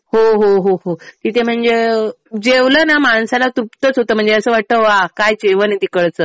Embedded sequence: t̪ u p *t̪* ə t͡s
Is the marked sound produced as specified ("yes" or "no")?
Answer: yes